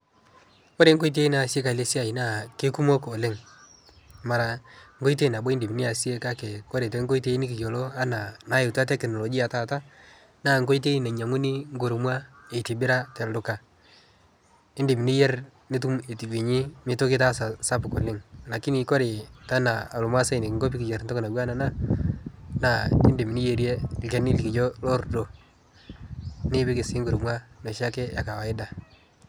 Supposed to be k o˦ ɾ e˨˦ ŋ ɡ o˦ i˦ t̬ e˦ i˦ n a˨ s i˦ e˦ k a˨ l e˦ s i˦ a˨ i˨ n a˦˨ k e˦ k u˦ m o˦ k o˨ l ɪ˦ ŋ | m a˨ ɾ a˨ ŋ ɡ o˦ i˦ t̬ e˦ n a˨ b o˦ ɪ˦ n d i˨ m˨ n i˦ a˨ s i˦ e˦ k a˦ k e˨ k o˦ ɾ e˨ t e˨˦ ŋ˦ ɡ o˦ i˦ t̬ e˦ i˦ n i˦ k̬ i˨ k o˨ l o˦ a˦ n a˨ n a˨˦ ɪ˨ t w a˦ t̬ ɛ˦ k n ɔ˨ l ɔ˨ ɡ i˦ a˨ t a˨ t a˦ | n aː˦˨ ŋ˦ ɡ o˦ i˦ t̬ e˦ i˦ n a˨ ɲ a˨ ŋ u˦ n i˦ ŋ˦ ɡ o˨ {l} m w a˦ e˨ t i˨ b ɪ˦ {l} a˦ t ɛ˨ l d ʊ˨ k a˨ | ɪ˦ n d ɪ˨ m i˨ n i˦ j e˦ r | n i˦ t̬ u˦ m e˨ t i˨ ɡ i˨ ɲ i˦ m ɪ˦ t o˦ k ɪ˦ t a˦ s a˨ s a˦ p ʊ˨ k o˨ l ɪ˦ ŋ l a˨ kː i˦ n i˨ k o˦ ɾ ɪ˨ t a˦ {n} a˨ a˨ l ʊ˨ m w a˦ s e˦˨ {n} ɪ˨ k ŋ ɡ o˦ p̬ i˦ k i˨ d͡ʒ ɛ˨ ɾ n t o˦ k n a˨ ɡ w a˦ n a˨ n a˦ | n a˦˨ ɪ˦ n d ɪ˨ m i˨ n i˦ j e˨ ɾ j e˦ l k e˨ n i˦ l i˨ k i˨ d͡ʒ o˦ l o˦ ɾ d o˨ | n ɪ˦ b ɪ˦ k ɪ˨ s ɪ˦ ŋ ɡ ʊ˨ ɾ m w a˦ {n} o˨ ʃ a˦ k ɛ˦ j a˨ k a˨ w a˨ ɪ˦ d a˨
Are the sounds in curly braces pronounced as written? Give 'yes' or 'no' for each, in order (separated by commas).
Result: no, no, yes, yes, yes